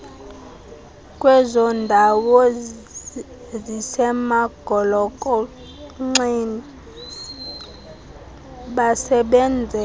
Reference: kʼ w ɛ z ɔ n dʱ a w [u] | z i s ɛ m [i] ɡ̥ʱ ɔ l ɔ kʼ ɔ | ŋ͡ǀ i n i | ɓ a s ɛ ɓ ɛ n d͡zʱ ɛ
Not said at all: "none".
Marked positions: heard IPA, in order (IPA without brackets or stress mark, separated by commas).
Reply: ɔ, a